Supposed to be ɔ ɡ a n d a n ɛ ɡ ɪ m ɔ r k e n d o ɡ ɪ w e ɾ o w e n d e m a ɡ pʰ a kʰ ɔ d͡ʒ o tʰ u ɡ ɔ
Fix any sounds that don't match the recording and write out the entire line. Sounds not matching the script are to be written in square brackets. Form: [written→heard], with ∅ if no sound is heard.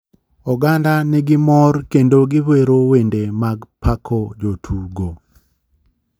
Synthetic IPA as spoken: ɔ ɡ a n d a n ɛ ɡ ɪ m ɔ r k e n d o ɡ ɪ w e ɾ o w e n d e m a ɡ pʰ a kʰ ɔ d͡ʒ o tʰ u ɡ [ɔ→o]